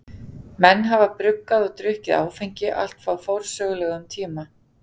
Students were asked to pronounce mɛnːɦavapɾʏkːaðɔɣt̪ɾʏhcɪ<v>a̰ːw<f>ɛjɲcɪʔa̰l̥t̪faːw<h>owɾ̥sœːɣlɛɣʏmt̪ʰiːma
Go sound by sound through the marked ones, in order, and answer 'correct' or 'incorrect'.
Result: incorrect, correct, incorrect

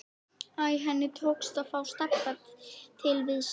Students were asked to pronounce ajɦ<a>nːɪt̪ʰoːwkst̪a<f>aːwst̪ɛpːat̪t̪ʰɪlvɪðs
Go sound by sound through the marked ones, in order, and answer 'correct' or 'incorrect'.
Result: incorrect, correct

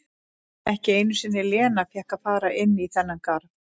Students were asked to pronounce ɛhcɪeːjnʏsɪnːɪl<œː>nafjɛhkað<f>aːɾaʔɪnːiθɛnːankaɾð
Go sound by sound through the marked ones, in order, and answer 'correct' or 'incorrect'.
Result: incorrect, correct

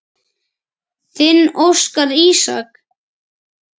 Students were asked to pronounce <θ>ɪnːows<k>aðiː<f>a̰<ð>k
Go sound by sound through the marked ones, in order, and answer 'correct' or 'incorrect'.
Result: correct, correct, incorrect, incorrect

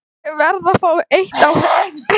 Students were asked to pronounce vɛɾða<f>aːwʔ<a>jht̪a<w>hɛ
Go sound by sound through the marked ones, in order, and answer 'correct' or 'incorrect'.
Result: correct, incorrect, correct

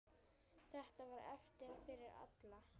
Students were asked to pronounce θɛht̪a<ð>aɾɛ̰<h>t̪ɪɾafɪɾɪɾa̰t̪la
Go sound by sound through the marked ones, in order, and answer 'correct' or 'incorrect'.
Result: incorrect, incorrect

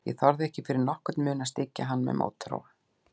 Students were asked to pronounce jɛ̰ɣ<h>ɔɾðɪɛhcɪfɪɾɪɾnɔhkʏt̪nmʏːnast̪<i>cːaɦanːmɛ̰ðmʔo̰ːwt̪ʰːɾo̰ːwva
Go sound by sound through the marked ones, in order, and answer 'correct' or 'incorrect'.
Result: incorrect, incorrect

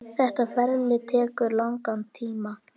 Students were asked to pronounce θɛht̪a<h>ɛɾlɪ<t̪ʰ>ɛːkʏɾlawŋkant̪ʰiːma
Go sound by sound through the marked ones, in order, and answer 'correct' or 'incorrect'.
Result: incorrect, correct

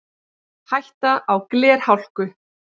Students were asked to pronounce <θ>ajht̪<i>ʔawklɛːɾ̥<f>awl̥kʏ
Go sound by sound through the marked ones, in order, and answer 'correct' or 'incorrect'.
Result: incorrect, incorrect, incorrect

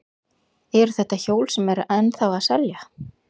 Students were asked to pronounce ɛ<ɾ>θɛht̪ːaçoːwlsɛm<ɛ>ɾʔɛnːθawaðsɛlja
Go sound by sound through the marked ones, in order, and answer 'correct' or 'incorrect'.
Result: correct, correct

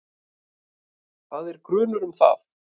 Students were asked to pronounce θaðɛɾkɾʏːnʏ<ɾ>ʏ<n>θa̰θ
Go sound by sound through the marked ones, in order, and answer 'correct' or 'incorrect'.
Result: correct, incorrect

